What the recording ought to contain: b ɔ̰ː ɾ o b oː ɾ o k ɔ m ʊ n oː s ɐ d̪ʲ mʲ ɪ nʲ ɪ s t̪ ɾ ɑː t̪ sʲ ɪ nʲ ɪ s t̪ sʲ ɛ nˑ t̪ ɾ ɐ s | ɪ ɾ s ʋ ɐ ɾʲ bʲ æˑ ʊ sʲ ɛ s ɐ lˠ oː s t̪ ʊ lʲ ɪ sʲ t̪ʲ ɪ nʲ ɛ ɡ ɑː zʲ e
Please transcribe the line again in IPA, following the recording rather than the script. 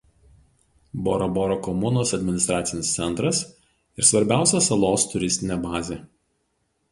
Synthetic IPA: b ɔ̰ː ɾ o b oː ɾ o k ɔ m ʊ n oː s ɐ d̪ʲ mʲ ɪ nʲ ɪ s t̪ ɾ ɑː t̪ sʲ ɪ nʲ ɪ s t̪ sʲ ɛ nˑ t̪ ɾ ɐ s | ɪ ɾ s ʋ ɐ ɾʲ bʲ æˑ ʊ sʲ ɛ s ɐ lˠ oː s t̪ ʊ ɾʲ ɪ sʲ t̪ʲ ɪ nʲ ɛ b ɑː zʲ e